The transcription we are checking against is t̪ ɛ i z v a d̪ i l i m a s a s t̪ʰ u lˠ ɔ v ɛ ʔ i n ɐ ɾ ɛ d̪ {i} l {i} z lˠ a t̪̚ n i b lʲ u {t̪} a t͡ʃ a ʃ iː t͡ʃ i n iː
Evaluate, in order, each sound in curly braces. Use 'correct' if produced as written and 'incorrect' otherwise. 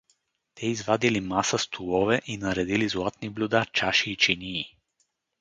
correct, correct, incorrect: d̪

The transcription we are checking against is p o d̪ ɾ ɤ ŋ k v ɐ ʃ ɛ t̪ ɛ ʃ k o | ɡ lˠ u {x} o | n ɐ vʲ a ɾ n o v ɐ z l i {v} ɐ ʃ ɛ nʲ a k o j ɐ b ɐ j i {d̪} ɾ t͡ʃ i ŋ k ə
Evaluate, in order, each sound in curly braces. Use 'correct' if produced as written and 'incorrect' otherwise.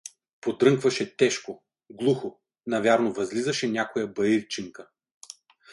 correct, incorrect: z, incorrect: none

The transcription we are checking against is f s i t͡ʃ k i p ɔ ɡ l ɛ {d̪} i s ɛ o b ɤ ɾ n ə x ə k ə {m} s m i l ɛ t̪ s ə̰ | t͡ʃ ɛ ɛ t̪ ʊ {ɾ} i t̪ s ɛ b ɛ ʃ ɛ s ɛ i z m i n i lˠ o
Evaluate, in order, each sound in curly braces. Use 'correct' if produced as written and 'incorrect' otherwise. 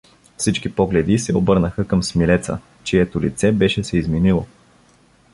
correct, correct, incorrect: l

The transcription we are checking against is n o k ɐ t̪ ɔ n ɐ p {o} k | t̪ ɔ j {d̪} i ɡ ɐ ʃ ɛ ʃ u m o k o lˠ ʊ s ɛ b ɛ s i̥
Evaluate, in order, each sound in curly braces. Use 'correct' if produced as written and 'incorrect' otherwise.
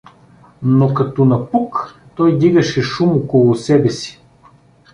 incorrect: u, correct

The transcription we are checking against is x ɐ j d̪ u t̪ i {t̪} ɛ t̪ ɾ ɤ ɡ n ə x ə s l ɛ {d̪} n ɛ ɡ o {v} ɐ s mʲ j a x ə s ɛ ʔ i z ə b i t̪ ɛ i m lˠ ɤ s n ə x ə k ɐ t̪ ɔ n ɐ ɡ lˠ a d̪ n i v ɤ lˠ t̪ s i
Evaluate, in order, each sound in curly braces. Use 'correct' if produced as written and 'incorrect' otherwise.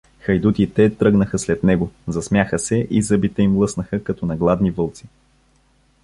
correct, incorrect: t̪, incorrect: z

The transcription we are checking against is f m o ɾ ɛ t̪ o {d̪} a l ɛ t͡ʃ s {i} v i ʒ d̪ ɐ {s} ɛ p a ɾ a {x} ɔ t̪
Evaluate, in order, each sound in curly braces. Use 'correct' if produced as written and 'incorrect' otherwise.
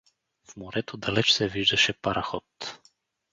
correct, incorrect: ɛ, incorrect: ʃ, correct

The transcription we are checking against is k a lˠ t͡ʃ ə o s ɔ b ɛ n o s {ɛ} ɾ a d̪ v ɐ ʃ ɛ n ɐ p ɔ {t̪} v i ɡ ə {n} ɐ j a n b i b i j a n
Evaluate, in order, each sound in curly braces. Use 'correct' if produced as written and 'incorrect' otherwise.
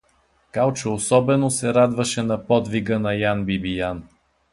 correct, incorrect: d̪, correct

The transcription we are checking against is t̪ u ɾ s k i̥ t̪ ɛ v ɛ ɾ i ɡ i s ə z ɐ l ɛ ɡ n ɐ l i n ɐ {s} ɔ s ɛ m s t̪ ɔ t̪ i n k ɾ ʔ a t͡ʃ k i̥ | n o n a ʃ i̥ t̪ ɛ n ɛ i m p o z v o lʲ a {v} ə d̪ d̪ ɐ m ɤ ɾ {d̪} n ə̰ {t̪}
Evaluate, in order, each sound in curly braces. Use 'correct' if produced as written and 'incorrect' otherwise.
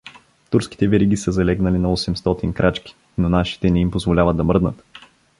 incorrect: none, correct, correct, correct

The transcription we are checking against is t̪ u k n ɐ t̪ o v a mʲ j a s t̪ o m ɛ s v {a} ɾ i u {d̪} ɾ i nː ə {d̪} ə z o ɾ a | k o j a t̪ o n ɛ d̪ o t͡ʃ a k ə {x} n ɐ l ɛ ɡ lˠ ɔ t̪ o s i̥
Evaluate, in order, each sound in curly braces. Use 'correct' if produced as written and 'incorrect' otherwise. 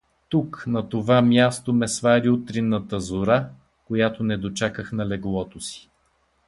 correct, incorrect: t̪, incorrect: t̪, correct

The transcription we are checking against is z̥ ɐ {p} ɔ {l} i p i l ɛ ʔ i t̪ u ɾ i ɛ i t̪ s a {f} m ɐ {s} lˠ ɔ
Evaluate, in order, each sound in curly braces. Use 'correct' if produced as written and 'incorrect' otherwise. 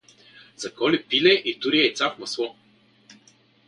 incorrect: k, correct, correct, correct

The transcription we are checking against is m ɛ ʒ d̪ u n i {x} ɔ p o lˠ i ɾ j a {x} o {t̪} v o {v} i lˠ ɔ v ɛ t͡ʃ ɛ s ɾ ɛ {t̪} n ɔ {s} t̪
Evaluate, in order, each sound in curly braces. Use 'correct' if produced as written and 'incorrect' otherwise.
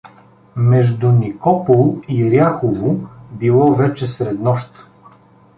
incorrect: k, correct, incorrect: none, incorrect: b, incorrect: d̪, incorrect: ʃ

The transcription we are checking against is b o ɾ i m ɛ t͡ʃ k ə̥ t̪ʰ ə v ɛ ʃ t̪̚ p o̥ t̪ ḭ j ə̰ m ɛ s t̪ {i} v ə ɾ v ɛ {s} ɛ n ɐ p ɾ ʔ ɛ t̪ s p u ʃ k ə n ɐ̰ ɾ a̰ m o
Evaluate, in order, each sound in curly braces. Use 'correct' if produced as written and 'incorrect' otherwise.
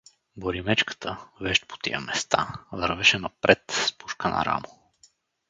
incorrect: a, incorrect: ʃ

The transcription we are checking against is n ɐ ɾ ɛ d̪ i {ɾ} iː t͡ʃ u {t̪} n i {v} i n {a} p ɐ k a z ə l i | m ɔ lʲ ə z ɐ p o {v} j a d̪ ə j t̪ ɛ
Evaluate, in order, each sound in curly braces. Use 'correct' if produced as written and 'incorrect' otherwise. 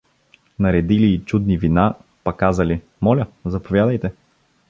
incorrect: l, incorrect: d̪, correct, correct, correct

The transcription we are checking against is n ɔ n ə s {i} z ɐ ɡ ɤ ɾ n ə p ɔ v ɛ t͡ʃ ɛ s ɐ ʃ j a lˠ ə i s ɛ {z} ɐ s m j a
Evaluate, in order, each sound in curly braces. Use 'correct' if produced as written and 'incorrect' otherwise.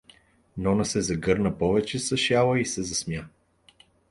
incorrect: ɛ, correct

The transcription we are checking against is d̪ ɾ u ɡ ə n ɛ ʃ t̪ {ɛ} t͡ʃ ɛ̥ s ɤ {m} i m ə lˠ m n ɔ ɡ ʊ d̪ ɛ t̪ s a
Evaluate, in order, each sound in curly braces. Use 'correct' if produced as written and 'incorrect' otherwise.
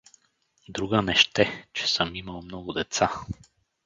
correct, correct

